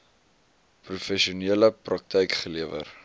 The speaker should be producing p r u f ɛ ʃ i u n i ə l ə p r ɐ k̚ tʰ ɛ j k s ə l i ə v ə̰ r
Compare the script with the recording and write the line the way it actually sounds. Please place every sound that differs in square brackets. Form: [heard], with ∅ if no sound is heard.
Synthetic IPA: p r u f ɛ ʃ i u n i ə l ə p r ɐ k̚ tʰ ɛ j k [χ] ə l i ə v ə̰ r